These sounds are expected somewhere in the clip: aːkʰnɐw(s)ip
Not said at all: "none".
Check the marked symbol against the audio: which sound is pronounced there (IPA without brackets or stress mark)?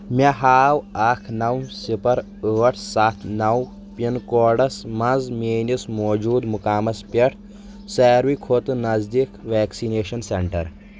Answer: s